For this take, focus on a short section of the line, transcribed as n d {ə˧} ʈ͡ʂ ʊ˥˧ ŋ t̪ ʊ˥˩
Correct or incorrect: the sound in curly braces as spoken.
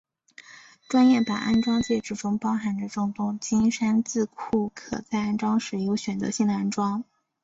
correct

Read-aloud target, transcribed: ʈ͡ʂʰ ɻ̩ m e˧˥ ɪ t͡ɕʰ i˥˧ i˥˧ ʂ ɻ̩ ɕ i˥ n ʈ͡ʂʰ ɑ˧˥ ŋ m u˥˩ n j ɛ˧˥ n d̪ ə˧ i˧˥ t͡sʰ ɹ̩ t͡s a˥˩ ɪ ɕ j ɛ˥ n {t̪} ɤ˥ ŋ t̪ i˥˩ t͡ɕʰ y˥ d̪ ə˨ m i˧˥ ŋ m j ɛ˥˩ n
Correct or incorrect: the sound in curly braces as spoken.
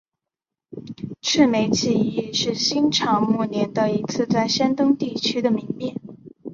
correct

